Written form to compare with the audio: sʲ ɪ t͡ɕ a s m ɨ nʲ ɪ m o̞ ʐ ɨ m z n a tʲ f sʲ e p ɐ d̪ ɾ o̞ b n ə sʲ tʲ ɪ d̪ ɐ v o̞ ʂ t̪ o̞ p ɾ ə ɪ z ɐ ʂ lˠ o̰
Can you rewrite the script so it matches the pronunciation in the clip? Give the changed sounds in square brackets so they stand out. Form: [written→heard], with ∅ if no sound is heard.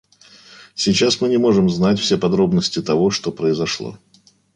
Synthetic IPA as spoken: sʲ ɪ t͡ɕ a s m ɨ nʲ ɪ m o̞ ʐ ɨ m z n a tʲ f sʲ e p ɐ d̪ ɾ o̞ b n ə sʲ tʲ ɪ [d̪→t̪] ɐ v o̞ ʂ t̪ o̞ p ɾ ə ɪ z ɐ ʂ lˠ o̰